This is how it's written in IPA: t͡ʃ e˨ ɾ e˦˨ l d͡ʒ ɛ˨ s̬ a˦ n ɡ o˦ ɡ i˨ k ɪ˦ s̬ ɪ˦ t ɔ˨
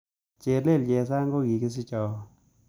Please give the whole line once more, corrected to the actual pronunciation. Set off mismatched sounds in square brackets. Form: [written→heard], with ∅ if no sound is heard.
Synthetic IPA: t͡ʃ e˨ [ɾ→l] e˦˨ l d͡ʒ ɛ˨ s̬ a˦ [n→ŋ] ɡ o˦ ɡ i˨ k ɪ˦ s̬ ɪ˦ [t→t͡ʃ] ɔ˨